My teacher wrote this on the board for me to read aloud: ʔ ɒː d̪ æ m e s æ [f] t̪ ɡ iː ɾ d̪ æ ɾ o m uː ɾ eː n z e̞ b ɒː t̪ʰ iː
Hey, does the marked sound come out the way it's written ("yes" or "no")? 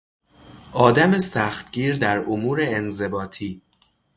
no